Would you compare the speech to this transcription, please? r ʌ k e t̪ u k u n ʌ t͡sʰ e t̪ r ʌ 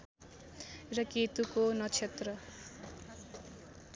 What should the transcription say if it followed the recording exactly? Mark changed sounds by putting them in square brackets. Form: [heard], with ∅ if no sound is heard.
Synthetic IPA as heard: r ʌ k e t̪ u k [o] n ʌ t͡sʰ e t̪ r ʌ